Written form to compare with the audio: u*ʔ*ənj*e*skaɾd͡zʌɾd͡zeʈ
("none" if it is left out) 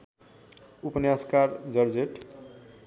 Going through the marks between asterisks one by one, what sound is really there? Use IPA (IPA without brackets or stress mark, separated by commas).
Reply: p, a